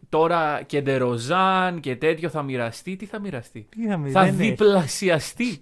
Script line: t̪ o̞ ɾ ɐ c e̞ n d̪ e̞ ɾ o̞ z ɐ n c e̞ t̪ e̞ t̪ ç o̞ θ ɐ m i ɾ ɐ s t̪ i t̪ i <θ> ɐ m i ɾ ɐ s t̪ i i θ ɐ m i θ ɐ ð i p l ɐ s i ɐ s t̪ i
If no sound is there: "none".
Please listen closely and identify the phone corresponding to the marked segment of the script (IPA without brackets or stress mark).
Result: θ